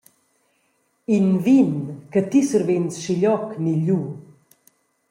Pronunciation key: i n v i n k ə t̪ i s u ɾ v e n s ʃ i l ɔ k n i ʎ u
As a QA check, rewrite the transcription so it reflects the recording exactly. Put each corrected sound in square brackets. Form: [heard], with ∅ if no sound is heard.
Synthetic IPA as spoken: i n v i n k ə t̪ i s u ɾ v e n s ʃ i [ʎ] ɔ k n i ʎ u